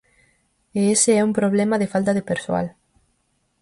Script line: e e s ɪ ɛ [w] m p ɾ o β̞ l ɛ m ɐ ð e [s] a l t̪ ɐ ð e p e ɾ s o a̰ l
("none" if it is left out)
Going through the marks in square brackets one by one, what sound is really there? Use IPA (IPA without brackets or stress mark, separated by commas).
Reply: u, f